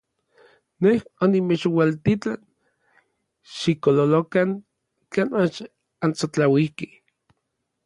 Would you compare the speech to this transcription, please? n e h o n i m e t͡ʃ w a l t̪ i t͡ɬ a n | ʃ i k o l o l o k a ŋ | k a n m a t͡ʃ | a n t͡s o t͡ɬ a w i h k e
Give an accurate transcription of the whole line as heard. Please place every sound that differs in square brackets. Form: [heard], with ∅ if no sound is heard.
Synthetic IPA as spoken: n e h o n i m e t͡ʃ w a l t̪ i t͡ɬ a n | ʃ i k o l o l o k a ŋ | k a n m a t͡ʃ | a n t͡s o t͡ɬ a w i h k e